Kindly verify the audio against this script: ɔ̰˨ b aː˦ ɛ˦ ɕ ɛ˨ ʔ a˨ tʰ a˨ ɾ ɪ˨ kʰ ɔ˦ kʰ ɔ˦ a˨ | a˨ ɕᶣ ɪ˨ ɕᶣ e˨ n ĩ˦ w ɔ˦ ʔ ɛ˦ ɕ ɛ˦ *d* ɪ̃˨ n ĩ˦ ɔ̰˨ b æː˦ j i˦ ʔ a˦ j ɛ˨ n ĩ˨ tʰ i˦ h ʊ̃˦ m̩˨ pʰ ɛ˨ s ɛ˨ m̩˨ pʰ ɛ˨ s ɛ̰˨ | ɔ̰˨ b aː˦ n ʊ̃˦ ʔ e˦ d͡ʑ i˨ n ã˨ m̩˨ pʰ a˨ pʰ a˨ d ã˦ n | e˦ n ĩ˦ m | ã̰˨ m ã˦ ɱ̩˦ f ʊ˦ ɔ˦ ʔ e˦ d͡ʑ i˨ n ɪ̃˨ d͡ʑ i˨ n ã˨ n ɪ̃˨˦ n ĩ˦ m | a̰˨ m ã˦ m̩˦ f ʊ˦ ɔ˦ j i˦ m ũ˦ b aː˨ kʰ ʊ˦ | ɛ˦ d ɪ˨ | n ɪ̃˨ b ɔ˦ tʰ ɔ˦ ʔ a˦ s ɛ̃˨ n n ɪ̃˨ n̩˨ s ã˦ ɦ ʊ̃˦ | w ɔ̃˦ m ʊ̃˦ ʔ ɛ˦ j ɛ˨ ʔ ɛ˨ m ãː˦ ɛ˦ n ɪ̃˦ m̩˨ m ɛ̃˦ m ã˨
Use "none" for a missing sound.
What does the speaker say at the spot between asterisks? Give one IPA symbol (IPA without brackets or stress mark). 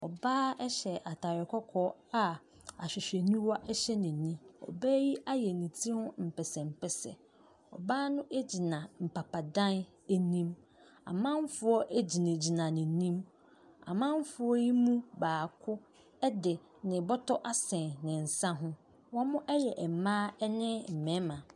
n